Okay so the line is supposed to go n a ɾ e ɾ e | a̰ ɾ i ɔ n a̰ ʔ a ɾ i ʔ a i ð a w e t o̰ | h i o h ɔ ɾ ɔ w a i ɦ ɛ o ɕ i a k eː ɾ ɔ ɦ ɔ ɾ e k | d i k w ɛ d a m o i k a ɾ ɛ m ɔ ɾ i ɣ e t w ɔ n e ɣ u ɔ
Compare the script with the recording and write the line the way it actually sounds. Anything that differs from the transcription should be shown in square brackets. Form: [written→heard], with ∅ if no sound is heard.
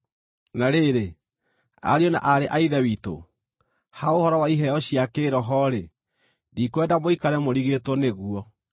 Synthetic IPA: n a ɾ e ɾ e | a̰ ɾ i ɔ n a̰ ʔ a ɾ [i→e] ʔ a i ð [a→ɛ] w [e→i] t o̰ | h [i→a] o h ɔ ɾ ɔ w a i ɦ ɛ [o→ɔ] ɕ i a k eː ɾ ɔ ɦ ɔ ɾ e [k→∅] | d i k w ɛ d a m o i k a ɾ ɛ m [ɔ→o] ɾ i ɣ e t w ɔ n e ɣ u ɔ